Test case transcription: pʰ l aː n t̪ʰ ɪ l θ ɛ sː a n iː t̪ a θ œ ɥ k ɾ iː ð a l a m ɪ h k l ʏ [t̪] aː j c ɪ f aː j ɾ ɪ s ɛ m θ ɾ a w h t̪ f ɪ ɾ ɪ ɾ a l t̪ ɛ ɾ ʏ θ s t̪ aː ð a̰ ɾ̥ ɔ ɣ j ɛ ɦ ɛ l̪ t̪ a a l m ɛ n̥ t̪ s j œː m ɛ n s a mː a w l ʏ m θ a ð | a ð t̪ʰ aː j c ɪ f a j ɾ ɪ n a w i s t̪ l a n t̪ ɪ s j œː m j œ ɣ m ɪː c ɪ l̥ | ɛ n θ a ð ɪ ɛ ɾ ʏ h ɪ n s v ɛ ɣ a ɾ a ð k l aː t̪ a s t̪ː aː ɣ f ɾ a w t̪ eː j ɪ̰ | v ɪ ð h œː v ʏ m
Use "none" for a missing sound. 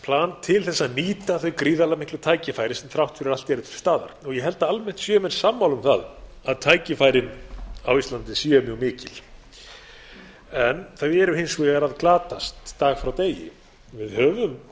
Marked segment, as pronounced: t̪ʰ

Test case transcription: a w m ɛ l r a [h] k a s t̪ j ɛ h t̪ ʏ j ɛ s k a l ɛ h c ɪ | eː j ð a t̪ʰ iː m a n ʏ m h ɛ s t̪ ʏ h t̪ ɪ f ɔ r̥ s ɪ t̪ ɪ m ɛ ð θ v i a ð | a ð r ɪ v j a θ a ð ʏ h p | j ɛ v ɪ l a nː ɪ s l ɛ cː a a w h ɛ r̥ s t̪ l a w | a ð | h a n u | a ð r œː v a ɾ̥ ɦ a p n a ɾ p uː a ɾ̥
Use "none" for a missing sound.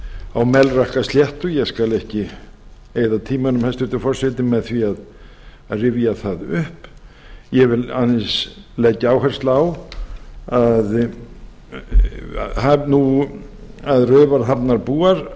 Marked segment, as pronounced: h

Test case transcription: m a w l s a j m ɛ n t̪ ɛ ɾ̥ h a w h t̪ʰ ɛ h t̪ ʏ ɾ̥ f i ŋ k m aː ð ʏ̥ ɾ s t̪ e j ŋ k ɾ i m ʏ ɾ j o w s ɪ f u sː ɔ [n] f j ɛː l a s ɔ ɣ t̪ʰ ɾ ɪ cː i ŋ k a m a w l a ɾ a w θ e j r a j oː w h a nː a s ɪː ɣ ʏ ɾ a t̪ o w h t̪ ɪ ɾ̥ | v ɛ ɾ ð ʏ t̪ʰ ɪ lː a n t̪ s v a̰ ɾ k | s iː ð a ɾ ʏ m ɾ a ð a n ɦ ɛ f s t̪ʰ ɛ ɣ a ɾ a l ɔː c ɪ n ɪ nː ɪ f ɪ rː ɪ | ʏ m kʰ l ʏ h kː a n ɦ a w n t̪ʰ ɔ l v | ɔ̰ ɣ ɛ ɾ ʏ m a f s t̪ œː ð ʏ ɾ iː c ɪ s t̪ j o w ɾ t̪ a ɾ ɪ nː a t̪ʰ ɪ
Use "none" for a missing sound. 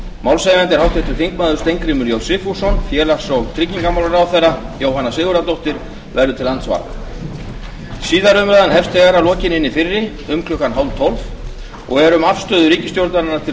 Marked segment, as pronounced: n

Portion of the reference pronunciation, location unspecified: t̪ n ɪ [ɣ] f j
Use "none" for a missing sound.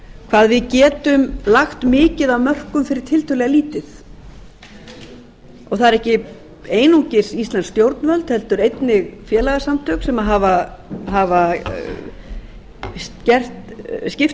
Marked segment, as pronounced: ɣ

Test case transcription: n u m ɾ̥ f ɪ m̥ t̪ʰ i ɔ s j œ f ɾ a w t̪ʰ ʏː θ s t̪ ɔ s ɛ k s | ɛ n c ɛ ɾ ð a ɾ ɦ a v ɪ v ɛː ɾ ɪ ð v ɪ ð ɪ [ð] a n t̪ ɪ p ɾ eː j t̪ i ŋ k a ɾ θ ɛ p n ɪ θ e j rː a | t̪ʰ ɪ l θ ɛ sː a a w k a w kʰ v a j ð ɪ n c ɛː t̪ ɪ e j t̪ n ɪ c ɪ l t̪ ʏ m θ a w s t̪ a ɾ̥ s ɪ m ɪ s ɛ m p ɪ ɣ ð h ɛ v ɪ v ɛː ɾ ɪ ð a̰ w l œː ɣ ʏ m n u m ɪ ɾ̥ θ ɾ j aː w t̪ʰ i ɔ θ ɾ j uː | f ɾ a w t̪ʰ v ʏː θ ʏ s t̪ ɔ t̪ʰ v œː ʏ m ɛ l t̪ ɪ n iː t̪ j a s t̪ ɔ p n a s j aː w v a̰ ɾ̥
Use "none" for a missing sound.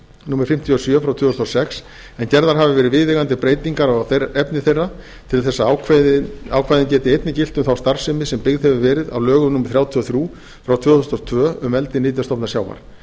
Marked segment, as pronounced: ɣ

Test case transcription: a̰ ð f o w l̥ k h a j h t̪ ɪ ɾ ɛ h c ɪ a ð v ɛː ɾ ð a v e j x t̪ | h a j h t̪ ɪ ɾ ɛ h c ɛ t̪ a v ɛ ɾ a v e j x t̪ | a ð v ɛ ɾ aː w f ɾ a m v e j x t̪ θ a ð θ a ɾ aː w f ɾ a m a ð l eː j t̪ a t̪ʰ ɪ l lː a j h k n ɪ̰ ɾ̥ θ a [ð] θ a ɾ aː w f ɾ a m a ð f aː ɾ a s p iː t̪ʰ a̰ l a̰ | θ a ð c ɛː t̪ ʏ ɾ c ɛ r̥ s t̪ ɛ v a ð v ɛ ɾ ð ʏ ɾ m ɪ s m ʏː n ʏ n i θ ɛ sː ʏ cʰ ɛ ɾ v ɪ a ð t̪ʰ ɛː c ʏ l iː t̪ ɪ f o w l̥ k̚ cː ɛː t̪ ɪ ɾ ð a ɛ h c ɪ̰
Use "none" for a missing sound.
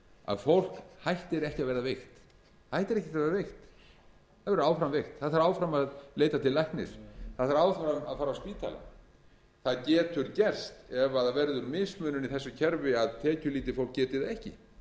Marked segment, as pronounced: ð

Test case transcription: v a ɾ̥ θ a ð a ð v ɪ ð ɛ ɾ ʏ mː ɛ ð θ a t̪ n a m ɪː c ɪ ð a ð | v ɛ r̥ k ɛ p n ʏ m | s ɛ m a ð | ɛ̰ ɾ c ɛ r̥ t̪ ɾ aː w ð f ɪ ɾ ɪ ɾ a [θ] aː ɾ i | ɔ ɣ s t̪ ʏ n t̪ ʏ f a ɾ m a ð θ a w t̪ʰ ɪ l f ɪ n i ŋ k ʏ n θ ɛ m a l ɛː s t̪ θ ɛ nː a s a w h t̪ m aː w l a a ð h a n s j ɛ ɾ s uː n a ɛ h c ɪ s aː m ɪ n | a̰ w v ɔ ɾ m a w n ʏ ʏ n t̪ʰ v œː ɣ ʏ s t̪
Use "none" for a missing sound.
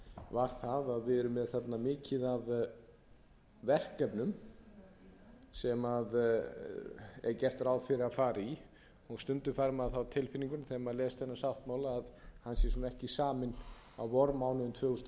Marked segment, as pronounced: f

